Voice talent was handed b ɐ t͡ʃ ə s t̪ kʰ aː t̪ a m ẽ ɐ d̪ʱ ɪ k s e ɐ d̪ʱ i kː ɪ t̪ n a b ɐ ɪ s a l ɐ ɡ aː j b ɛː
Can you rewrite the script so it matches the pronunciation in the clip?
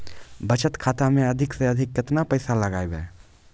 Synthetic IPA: b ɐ t͡ʃ ə t̪ kʰ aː t̪ a m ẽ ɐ d̪ʱ ɪ k s e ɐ d̪ʱ ɪ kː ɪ t̪ n a p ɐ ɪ s a l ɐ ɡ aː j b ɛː